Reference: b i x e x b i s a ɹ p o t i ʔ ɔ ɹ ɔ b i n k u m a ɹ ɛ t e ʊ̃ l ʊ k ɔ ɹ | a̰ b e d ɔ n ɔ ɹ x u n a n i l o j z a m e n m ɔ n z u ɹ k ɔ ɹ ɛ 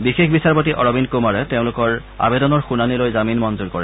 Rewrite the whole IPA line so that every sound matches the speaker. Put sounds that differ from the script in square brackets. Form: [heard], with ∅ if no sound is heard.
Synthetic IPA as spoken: b i x e x b i s a ɹ p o t i ʔ ɔ ɹ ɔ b i n k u m a ɹ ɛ t e ʊ̃ l ʊ k ɔ ɹ | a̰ b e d ɔ n ɔ ɹ x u n a n i l o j z a m [i] n m ɔ n z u ɹ k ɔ ɹ ɛ

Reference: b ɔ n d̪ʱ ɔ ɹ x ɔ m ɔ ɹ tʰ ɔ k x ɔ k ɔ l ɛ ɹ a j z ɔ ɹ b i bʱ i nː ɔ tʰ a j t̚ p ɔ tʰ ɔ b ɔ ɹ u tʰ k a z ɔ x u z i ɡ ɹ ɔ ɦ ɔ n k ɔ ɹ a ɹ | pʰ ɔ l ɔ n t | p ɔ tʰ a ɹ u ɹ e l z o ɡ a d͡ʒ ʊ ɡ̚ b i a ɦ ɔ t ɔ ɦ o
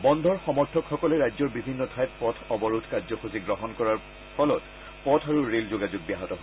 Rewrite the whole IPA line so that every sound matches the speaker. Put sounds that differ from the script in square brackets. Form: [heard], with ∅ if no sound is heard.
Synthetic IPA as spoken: b ɔ n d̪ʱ ɔ ɹ x ɔ m ɔ ɹ tʰ ɔ k x ɔ k ɔ l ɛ ɹ a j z ɔ ɹ b i bʱ i nː ɔ tʰ a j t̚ p ɔ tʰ ɔ b ɔ ɹ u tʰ k a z ɔ x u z i ɡ ɹ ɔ ɦ ɔ n k ɔ ɹ a ɹ | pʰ ɔ l ɔ [∅] t | p ɔ tʰ a ɹ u ɹ e l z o ɡ a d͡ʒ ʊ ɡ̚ b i a ɦ ɔ t ɔ ɦ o

